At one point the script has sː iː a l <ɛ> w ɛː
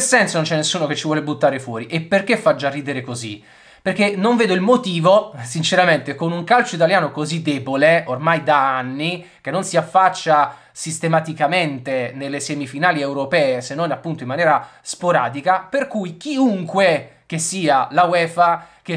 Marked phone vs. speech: incorrect: a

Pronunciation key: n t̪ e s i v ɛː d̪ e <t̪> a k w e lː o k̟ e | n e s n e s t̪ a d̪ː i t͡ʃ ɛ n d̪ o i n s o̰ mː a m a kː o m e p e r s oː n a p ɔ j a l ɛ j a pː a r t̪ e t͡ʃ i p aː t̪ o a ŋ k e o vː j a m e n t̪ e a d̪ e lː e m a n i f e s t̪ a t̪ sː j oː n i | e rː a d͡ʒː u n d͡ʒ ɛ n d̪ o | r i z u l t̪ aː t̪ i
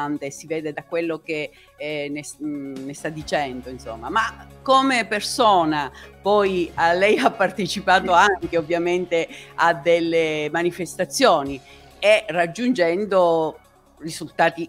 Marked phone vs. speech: incorrect: d̪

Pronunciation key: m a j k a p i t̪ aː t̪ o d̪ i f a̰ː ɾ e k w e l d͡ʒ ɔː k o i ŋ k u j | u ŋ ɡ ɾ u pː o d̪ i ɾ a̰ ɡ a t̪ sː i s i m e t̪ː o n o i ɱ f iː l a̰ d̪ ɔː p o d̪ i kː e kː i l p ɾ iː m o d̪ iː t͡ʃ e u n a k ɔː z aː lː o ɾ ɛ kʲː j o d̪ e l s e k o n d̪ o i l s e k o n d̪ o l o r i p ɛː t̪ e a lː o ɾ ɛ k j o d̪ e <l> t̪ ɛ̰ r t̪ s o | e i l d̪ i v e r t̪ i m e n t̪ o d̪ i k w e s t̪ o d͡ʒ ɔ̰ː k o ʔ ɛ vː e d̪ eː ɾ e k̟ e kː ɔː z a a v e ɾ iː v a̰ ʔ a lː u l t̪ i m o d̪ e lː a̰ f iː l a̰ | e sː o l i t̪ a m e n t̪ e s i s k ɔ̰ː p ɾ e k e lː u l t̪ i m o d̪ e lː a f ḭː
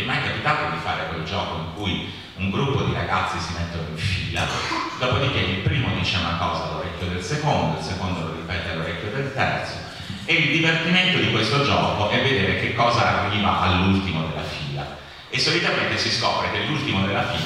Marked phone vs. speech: correct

